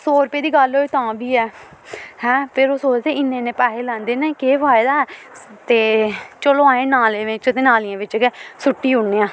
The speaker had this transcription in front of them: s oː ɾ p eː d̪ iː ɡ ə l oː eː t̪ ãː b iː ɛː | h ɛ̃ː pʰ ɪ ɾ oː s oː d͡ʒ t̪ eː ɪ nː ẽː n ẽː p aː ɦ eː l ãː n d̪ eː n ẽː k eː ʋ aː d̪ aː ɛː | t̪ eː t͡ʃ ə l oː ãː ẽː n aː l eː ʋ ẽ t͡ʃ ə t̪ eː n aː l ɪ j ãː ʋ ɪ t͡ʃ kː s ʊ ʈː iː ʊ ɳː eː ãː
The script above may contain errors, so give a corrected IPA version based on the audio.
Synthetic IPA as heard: s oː ɾ p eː d̪ iː ɡ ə l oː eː t̪ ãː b iː ɛː | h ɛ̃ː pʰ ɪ ɾ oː s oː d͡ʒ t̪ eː ɪ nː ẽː n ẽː p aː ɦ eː l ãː n d̪ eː n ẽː k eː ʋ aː d̪ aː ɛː | t̪ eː t͡ʃ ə l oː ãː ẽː n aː l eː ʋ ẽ t͡ʃ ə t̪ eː n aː l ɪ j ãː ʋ ɪ t͡ʃ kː s ʊ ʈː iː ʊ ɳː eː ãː